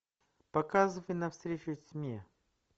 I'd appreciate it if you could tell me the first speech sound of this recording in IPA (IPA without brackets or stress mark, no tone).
p